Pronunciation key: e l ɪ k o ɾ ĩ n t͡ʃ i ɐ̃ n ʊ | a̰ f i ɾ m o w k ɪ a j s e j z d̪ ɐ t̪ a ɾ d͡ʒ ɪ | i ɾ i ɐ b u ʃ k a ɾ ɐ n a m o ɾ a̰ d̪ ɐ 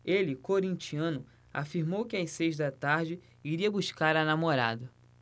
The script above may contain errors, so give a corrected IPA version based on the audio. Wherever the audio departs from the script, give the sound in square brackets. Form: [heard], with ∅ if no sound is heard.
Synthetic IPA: e l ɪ k o ɾ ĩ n t͡ʃ i ɐ̃ n ʊ | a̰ f i ɾ m o w k ɪ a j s e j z d̪ ɐ t̪ a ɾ d͡ʒ ɪ | i ɾ i ɐ b u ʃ k a ɾ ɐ n a m o ɾ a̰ d̪ ɐ